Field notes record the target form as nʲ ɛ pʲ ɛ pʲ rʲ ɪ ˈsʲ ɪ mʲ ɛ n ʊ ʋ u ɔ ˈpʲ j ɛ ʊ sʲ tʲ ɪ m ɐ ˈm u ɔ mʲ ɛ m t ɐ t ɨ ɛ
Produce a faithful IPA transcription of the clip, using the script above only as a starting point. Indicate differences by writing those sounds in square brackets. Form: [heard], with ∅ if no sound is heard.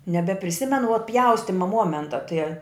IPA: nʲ ɛ [bʲ] ɛ pʲ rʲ ɪ ˈsʲ ɪ mʲ ɛ n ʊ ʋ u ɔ ˈpʲ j ɛ ʊ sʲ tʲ ɪ m ɐ ˈm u ɔ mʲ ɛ [n] t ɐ t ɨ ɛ